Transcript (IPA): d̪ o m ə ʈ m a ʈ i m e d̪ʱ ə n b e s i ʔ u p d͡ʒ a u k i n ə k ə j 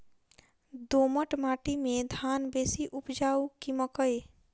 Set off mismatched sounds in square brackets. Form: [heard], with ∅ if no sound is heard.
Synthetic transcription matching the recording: d̪ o m ə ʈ m a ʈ i m e d̪ʱ [a] n b e s i ʔ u p d͡ʒ a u k i [m] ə k ə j